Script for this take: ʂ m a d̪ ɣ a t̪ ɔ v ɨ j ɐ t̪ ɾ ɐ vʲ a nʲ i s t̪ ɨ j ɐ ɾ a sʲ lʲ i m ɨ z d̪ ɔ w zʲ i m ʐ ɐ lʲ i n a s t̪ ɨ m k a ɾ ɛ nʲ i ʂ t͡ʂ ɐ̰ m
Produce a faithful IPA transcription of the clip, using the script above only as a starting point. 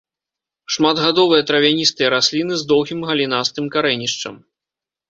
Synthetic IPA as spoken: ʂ m a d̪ ɣ a d̪ ɔ v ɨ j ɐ t̪ ɾ ɐ vʲ a nʲ i s t̪ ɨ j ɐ ɾ a sʲ lʲ i n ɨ z d̪ ɔ w ɣʲ i m ɣ ɐ lʲ i n a s t̪ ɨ m k a ɾ ɛ nʲ i ʂ t͡ʂ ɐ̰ m